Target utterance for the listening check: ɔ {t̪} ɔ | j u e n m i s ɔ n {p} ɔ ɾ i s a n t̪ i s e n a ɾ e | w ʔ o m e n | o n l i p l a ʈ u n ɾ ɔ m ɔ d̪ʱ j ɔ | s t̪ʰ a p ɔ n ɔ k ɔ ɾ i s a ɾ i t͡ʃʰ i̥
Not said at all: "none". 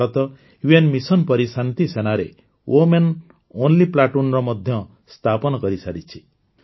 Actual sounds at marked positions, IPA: t̪, p

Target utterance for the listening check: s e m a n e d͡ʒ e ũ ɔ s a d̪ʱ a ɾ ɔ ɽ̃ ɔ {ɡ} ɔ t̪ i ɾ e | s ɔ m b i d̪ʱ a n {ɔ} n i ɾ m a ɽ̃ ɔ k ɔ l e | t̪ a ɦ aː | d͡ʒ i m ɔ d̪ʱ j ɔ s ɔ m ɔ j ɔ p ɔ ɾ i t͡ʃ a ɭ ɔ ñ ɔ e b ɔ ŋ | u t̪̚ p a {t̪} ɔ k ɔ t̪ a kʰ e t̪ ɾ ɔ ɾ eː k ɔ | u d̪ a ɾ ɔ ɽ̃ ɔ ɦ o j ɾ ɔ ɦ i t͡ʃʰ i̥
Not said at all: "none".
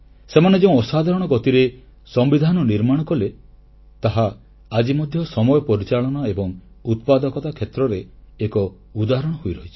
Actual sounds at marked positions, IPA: ɡ, ɔ, d̪

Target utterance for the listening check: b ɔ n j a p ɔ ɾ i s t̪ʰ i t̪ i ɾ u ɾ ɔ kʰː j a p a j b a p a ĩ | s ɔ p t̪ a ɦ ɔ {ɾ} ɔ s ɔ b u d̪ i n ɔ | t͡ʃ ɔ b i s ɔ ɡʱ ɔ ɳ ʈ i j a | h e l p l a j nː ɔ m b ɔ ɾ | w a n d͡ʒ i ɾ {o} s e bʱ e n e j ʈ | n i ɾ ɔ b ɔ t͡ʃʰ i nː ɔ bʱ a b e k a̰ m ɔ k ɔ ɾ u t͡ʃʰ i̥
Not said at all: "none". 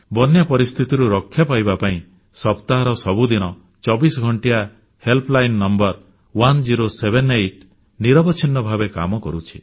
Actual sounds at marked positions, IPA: ɾ, o

